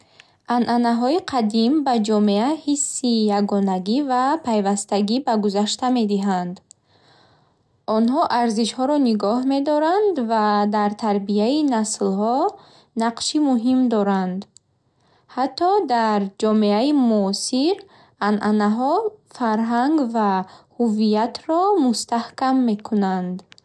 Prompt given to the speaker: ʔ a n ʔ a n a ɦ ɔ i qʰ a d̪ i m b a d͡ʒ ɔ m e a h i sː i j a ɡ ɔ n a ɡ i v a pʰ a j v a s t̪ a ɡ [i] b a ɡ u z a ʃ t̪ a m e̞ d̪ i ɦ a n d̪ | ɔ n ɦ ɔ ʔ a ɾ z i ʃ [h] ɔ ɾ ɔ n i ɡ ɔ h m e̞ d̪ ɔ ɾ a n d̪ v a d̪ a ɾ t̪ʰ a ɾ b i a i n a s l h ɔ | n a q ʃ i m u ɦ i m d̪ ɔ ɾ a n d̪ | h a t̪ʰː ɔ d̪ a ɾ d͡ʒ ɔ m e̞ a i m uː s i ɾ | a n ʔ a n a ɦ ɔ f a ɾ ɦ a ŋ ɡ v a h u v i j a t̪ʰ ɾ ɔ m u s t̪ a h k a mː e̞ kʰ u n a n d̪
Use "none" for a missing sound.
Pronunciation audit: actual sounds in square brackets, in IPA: i, h

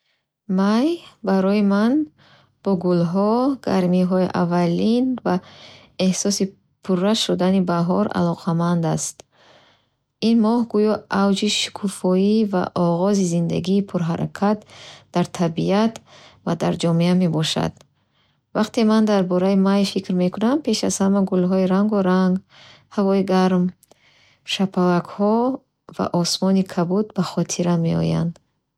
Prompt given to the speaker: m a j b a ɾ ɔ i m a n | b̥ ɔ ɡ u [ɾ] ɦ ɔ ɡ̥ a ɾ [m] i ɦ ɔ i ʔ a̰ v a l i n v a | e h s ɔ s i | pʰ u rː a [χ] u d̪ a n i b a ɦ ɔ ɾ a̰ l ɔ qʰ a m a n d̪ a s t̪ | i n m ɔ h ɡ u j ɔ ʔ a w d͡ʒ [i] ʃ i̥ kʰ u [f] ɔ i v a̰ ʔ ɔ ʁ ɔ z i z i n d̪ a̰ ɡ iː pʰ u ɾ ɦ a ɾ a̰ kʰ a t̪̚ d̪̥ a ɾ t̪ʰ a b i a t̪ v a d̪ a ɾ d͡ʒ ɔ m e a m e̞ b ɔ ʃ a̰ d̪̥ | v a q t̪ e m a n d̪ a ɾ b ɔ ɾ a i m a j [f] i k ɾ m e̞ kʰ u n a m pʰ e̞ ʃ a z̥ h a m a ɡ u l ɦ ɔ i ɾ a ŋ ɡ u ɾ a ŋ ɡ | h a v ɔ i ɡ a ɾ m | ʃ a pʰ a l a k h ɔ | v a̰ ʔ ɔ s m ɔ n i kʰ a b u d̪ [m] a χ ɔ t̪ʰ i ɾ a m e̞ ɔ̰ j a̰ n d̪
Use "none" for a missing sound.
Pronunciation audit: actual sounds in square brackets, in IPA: l, m, ʃ, i, f, f, b

